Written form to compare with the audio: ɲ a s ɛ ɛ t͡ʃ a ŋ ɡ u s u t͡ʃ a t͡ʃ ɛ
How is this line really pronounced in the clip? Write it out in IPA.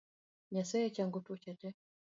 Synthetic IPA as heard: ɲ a s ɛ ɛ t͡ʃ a ŋ ɡ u t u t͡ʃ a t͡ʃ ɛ